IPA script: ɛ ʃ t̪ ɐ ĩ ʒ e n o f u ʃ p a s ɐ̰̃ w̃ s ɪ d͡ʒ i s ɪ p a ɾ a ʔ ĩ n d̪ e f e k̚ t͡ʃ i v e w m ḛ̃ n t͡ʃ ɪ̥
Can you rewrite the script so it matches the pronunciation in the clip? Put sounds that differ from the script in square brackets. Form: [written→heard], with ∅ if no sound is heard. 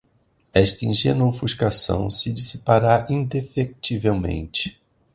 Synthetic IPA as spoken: ɛ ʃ t̪ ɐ ĩ ʒ e n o f u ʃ [p→k] a s ɐ̰̃ w̃ s ɪ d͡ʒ i s [ɪ→i] p a ɾ a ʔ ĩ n d̪ e f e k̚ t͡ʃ i v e w m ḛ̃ n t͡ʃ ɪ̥